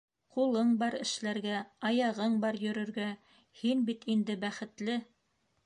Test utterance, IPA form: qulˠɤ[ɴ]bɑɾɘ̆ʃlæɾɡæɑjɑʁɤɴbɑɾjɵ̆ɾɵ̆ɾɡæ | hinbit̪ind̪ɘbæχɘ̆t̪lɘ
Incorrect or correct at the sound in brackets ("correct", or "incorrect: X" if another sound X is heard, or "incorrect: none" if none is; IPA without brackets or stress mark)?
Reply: correct